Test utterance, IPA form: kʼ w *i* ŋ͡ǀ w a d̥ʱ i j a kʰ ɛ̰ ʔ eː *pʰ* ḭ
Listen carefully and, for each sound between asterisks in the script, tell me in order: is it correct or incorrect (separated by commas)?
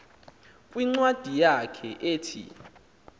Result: correct, incorrect